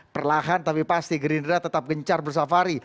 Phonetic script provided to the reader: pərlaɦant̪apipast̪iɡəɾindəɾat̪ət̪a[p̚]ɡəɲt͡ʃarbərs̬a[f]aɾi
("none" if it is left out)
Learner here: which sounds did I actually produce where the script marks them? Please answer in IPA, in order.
p̚, f

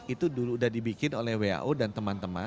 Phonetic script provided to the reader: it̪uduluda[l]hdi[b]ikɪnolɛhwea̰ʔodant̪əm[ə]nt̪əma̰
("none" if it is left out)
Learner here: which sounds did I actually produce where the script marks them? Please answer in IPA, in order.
none, b, a

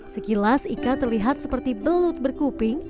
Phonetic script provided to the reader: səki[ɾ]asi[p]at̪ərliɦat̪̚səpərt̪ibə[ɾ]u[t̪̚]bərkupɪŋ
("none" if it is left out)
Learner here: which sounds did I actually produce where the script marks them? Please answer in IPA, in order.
l, k, l, t̪̚

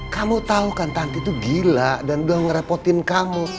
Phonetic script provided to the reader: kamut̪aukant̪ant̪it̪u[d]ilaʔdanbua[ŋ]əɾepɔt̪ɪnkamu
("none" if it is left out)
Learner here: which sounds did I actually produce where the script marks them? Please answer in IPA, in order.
ɡ, ŋ

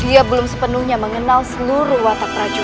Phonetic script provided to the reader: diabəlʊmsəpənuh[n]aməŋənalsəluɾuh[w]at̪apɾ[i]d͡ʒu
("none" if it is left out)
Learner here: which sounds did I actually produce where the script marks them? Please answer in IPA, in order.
ɲ, w, a

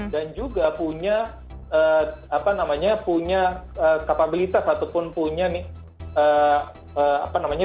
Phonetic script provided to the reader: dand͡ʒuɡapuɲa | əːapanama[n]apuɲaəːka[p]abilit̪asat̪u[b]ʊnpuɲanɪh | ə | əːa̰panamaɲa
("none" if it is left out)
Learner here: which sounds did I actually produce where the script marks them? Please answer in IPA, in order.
ɲ, p, p

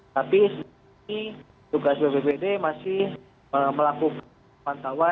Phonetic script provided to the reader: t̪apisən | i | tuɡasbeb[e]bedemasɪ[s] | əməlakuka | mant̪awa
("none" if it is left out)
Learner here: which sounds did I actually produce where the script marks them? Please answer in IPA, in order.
e, h

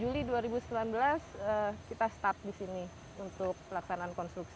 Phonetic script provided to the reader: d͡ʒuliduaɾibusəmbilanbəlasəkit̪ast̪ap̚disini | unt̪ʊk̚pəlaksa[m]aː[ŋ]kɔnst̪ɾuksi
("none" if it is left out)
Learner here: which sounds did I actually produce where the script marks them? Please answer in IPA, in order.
n, n

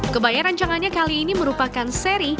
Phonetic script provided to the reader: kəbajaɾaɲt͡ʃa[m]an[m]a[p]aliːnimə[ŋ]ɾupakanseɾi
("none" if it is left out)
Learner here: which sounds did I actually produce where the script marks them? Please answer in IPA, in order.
ŋ, ɲ, k, none

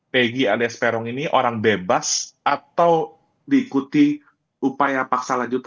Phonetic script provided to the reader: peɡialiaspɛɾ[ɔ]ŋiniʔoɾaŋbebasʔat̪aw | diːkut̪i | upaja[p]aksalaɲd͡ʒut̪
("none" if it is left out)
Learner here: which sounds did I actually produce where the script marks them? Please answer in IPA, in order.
ɔ, p

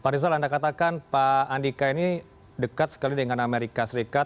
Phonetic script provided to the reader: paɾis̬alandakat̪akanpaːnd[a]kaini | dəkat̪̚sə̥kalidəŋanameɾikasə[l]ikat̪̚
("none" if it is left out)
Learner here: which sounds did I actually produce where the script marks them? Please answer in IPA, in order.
i, ɾ

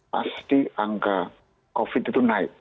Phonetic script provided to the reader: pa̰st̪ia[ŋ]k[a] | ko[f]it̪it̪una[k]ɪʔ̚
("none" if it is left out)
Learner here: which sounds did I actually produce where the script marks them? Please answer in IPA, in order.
ŋ, a, f, none

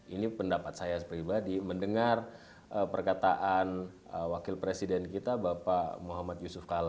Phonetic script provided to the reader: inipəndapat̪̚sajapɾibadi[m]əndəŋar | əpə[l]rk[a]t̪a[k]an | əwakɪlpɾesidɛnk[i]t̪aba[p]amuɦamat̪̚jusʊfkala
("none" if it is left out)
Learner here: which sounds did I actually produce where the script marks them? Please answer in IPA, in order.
m, none, a, ʔ, i, p

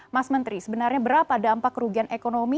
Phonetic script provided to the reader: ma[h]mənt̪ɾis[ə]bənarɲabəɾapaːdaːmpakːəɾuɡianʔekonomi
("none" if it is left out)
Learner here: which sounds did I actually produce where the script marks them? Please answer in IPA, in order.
s, ə

